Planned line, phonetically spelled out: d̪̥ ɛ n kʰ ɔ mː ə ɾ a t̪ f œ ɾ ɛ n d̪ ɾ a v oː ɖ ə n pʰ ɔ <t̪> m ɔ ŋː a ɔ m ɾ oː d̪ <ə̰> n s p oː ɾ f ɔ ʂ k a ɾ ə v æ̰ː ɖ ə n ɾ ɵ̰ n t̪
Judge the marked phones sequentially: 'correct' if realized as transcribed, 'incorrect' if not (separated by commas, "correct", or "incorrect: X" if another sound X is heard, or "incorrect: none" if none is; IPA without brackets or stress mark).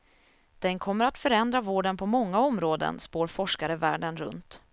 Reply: incorrect: none, correct